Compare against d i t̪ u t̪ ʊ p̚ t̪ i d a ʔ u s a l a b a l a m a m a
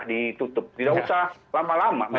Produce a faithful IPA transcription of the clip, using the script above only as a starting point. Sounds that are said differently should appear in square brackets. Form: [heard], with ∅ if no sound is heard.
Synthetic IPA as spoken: d i t̪ u t̪ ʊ p̚ t̪ i d a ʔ u s a l a [m] a l a m a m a

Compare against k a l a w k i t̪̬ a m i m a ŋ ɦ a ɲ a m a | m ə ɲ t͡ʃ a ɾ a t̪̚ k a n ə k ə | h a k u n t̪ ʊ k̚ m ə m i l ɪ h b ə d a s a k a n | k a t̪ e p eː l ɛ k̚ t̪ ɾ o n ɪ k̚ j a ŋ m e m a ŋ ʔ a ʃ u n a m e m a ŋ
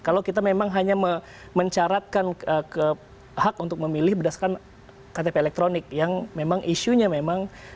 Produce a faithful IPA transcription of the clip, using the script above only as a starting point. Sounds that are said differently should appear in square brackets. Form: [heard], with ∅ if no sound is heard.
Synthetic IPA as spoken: k a l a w k i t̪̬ a m [e] m a ŋ ɦ a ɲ a m [ə] | m ə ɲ t͡ʃ a ɾ a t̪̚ k a n ə k ə | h a k u n t̪ ʊ k̚ m ə m i l ɪ h b ə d a s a k a n | k a t̪ e p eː l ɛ k̚ t̪ ɾ o n ɪ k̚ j a ŋ m e m a ŋ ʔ [i] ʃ u [ɲ] a m e m a ŋ

